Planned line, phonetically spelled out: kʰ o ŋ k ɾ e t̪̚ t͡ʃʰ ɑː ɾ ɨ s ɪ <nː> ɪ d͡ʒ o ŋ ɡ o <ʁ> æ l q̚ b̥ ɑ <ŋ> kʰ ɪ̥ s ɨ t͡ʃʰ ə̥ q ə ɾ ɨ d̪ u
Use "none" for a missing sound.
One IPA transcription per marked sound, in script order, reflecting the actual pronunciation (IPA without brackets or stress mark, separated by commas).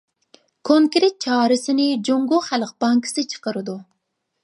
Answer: n, χ, ŋ